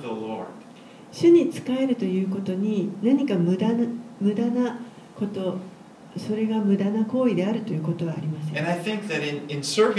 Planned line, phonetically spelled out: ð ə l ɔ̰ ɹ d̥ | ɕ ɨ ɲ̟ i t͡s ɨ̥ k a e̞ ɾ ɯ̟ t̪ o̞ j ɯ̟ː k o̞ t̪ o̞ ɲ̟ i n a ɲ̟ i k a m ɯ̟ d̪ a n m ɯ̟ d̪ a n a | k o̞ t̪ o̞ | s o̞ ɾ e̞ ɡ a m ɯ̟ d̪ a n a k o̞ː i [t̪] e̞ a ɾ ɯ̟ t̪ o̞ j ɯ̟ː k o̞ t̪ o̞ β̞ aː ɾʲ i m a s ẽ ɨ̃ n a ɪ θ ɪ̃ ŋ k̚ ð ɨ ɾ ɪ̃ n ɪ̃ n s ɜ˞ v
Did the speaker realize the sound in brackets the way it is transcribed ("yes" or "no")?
no